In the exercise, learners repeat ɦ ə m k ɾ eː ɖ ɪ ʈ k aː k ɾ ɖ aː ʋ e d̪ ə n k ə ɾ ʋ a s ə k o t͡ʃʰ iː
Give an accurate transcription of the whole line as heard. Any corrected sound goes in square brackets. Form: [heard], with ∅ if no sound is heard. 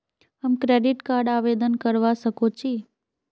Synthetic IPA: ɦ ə m k ɾ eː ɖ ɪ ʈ k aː [∅] ɾ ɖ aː ʋ e d̪ ə n k ə ɾ ʋ a s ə k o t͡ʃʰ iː